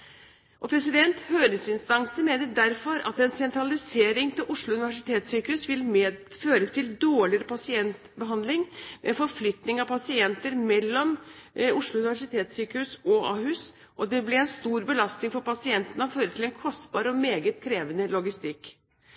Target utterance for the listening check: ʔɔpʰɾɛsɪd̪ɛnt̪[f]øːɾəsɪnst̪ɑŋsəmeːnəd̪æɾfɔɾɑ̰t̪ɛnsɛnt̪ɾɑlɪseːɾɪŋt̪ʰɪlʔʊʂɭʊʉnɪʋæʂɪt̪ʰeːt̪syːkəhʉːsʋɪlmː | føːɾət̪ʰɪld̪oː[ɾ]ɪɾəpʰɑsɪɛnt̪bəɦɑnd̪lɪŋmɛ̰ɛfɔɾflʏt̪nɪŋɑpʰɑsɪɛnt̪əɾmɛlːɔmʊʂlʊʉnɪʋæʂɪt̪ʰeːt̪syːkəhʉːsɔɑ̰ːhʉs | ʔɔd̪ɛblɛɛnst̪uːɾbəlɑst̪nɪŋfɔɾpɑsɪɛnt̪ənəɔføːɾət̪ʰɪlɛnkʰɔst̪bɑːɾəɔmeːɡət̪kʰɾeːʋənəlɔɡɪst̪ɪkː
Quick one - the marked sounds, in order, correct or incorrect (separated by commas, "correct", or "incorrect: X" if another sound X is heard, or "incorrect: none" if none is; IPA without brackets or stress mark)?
incorrect: h, incorrect: ɭ